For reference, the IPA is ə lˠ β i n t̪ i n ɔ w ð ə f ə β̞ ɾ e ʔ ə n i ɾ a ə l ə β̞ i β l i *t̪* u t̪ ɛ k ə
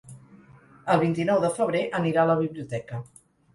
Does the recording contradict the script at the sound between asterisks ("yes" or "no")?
yes